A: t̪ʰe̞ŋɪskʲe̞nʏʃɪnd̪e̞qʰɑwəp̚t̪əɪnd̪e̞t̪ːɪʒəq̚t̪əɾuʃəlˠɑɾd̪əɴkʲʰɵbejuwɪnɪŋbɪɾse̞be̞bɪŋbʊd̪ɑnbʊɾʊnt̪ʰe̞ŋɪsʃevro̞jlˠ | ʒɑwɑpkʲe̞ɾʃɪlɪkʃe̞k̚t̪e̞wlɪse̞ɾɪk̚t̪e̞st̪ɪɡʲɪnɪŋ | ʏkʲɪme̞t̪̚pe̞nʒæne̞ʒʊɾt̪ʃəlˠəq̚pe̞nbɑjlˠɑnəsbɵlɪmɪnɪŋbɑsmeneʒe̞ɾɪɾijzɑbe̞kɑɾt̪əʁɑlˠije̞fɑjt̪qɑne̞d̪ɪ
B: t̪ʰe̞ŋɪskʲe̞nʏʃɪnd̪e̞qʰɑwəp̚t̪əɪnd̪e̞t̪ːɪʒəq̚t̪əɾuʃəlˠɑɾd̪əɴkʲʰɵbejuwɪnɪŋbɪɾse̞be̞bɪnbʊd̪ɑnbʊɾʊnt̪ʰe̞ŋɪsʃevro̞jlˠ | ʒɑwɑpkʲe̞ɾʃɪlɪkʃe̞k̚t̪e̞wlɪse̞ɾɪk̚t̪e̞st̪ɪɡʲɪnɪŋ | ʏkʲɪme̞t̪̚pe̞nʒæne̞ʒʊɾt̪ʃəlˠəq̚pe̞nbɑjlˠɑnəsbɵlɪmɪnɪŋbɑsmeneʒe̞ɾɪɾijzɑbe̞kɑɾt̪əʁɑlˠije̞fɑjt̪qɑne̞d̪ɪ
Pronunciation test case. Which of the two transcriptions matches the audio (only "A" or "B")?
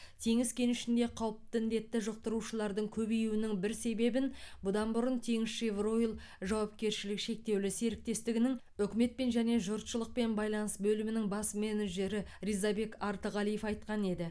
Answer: B